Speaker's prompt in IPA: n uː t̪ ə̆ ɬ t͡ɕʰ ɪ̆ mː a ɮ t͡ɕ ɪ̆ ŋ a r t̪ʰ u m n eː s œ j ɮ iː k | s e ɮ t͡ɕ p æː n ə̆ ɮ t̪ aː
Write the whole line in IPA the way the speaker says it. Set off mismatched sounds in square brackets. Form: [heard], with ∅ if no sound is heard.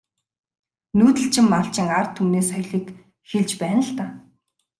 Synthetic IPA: n uː t̪ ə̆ ɬ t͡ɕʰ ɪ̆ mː a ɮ t͡ɕ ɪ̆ ŋ a r t̪ʰ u m n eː s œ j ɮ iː k | [x] e ɮ t͡ɕ p æː n ə̆ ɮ t̪ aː